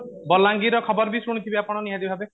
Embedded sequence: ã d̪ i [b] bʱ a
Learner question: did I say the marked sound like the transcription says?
yes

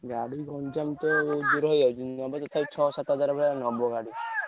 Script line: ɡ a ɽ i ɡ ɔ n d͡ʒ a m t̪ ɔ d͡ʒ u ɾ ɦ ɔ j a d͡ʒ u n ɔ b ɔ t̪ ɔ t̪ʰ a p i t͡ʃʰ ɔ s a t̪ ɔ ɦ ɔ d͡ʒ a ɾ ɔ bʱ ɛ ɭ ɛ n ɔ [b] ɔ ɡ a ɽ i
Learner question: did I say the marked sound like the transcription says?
yes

